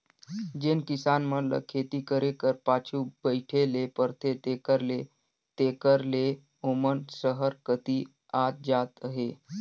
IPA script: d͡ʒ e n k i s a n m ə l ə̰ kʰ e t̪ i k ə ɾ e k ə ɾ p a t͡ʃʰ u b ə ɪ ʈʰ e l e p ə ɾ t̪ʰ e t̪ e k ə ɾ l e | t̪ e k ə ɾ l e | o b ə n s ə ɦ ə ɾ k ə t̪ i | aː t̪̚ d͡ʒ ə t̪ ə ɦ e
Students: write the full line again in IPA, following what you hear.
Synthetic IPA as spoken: d͡ʒ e n k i s a n m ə l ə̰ kʰ e t̪ i k ə ɾ e k ə ɾ p a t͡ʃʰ u b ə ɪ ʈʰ e l e p ə ɾ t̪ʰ e t̪ e k ə ɾ l e | t̪ e k ə ɾ l e | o m ə n s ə ɦ ə ɾ k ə t̪ i | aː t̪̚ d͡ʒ a t̪ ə ɦ e